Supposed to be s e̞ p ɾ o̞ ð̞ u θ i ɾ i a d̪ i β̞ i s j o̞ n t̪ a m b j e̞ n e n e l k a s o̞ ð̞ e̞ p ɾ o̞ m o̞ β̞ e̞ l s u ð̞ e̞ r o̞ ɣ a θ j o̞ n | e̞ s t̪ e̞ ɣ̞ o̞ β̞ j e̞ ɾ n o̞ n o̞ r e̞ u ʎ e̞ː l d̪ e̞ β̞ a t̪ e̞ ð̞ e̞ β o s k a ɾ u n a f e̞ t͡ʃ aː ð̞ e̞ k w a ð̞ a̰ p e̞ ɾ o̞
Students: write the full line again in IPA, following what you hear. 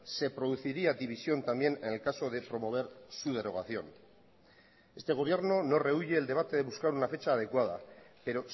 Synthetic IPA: s e̞ p ɾ o̞ ð̞ u θ i ɾ i a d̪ i β̞ i s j o̞ n t̪ a m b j e̞ n e n e l k a s o̞ ð̞ e̞ p ɾ o̞ m o̞ β̞ e̞ ɾ s u ð̞ e̞ ɾ o̞ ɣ a θ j o̞ n | e̞ s t̪ e̞ ɣ̞ o̞ β̞ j e̞ ɾ n o̞ n o̞ r e̞ u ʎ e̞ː l d̪ e̞ β̞ a t̪ e̞ ð̞ e̞ β u s k a ɾ u n a f e̞ t͡ʃ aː ð̞ e̞ k w a ð̞ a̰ p e̞ ɾ o̞